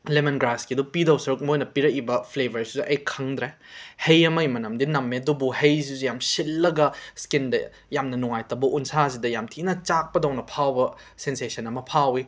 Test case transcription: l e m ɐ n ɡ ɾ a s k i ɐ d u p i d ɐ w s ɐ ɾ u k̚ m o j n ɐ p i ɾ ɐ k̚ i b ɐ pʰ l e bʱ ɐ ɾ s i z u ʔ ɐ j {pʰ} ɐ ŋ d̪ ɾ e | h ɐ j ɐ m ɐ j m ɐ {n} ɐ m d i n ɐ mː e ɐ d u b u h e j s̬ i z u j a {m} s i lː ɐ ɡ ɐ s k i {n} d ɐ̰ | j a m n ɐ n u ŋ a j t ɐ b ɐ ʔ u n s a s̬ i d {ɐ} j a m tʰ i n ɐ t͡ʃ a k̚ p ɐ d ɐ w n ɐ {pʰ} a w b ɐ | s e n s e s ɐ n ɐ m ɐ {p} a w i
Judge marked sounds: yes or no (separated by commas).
no, yes, yes, yes, yes, yes, no